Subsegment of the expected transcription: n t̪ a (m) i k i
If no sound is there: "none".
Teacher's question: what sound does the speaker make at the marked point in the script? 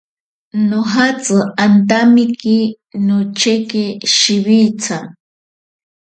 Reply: m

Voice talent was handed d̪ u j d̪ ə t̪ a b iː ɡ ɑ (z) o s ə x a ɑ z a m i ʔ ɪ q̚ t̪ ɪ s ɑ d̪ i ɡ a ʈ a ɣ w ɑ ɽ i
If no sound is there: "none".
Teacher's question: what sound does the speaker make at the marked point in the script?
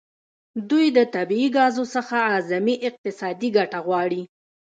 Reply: z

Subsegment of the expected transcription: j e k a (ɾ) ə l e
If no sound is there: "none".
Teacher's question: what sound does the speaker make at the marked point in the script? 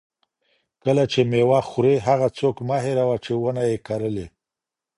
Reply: ɾ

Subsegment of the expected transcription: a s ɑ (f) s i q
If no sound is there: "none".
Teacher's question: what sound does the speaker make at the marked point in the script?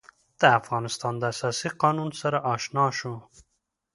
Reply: none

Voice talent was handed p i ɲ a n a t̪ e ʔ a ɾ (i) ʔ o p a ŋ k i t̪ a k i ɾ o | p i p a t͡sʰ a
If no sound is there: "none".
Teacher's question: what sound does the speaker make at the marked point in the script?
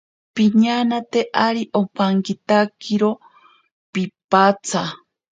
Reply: i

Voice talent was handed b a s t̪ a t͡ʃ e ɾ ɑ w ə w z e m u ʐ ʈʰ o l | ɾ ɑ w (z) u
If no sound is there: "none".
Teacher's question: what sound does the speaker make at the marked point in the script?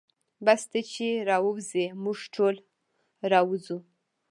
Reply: z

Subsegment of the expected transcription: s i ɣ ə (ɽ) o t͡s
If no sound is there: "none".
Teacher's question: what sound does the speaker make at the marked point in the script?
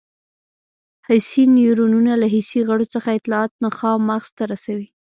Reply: ɽ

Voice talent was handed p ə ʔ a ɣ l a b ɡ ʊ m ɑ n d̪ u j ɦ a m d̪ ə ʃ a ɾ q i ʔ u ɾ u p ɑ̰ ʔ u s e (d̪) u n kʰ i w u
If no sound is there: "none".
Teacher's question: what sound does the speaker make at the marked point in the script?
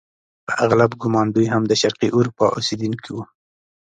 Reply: d̪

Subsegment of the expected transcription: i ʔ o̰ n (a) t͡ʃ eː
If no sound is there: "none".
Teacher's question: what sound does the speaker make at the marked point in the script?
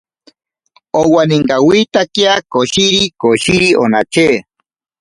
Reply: a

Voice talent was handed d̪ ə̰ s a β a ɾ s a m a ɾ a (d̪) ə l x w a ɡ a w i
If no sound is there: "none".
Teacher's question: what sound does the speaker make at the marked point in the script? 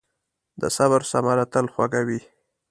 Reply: t̪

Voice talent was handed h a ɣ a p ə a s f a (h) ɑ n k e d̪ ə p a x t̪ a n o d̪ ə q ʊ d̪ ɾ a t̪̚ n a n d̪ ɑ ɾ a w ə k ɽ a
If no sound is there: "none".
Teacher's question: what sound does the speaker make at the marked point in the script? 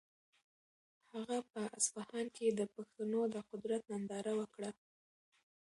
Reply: h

